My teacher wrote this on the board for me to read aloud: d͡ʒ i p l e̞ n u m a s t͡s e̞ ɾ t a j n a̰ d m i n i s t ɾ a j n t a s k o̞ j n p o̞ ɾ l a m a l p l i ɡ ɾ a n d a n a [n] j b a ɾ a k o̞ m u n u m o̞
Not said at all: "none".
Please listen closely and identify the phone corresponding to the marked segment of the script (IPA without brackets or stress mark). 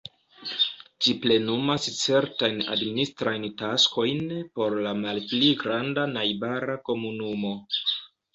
none